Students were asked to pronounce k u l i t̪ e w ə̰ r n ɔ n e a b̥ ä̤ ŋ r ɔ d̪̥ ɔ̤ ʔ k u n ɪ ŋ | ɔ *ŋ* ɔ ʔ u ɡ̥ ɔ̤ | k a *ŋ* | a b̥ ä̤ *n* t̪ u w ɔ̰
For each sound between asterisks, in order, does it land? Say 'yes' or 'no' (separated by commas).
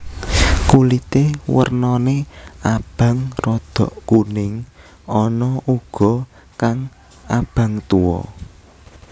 no, yes, no